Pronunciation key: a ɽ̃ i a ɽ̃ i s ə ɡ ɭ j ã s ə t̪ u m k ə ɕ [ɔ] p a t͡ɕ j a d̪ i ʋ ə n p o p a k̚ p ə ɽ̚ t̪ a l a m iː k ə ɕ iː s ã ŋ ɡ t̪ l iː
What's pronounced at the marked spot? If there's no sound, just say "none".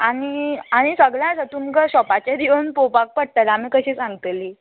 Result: ɔ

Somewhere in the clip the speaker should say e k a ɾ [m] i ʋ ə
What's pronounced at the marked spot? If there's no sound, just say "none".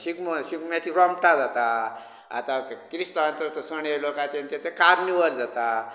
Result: n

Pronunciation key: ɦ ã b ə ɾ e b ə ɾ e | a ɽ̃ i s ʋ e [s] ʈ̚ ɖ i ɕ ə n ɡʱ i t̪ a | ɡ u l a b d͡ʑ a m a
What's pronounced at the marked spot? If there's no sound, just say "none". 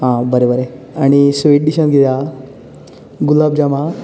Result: none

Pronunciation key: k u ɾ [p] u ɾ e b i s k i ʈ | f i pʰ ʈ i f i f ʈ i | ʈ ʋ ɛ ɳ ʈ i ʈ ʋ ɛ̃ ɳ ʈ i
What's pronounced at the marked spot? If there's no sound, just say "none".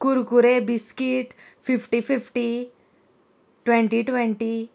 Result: k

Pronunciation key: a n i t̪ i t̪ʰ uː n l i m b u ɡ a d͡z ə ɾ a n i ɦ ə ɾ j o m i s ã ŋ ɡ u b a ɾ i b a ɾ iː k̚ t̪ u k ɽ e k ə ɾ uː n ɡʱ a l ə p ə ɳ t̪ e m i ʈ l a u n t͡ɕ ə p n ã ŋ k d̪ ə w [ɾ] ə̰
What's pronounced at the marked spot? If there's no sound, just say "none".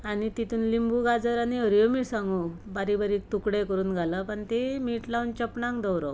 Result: ɾ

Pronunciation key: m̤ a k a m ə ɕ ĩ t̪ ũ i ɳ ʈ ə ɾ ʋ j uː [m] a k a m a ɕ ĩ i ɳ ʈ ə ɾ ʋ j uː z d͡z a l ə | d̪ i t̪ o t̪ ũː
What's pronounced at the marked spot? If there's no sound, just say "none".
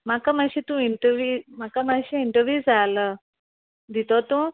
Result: m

